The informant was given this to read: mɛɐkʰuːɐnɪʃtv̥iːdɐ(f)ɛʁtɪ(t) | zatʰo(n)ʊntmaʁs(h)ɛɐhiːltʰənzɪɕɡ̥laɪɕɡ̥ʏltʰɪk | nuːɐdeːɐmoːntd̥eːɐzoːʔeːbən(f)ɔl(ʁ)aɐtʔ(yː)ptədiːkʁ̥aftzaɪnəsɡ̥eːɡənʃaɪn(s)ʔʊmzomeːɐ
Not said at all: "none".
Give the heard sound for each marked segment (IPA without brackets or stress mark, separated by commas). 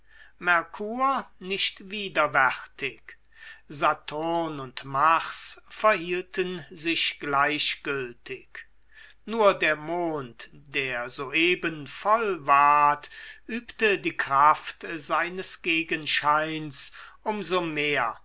v, k, n, f, f, v, yː, s